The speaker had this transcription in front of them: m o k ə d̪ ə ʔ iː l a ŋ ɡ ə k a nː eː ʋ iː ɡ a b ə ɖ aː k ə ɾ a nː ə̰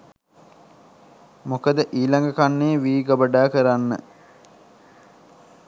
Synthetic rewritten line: m o k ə d̪ ə ʔ iː l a ŋ ɡ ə k a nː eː ʋ iː ɡ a b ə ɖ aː k ə ɾ a nː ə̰